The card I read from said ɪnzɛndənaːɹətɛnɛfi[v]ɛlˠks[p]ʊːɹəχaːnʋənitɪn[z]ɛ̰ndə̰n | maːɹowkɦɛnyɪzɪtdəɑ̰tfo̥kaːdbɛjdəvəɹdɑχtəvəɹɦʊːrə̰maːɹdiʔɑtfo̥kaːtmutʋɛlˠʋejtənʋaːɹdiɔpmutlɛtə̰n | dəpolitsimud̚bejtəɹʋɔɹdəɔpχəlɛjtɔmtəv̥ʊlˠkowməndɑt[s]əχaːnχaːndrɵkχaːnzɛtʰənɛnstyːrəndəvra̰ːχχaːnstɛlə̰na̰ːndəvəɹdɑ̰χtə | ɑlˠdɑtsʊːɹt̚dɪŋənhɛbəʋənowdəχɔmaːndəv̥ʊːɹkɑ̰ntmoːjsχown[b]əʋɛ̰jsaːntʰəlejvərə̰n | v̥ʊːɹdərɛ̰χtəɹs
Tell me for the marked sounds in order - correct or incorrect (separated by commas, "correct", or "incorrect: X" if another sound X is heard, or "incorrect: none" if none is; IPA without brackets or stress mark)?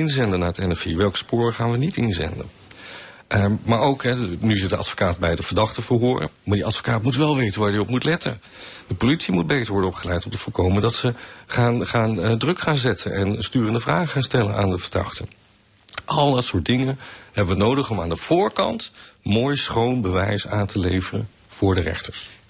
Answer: incorrect: ʋ, correct, correct, correct, correct